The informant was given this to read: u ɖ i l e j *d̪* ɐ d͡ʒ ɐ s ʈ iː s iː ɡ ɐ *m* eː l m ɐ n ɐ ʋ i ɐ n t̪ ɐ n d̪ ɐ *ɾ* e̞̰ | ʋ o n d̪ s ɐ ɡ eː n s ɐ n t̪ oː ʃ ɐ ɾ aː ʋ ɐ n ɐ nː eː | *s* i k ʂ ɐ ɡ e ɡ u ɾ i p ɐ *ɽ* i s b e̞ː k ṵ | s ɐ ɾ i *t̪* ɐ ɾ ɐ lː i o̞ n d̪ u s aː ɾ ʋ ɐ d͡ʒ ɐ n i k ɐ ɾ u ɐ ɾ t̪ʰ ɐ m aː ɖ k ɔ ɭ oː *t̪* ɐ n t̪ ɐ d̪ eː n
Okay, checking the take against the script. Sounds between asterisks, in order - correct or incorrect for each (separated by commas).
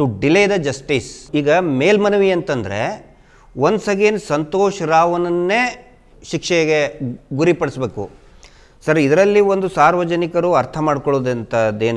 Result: correct, correct, correct, incorrect, correct, incorrect, incorrect